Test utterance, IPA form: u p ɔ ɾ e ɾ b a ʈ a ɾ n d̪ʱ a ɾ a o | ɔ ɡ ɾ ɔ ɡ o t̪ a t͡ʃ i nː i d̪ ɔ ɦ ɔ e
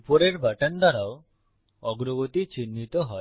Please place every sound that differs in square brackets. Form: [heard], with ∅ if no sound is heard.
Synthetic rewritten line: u p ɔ ɾ e ɾ b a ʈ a [∅] n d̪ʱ a ɾ a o | ɔ ɡ ɾ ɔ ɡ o t̪ [i] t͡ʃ i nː i [t̪] ɔ ɦ ɔ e